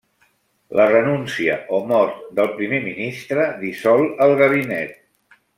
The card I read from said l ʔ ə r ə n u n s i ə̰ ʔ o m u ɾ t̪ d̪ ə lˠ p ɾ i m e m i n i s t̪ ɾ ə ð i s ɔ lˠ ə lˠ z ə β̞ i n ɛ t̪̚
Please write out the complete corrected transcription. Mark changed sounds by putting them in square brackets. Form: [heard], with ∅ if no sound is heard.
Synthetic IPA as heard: l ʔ ə r ə n u n s i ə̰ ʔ o m [ɔ] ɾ t̪ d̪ ə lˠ p ɾ i m e m i n i s t̪ ɾ ə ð i s ɔ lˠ ə lˠ [ɣ] ə β̞ i n ɛ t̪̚